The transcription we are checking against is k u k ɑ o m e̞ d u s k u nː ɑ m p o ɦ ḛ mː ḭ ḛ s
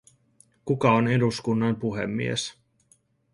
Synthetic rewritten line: k u k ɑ o n e̞ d u s k u nː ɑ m p u ɦ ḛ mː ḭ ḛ s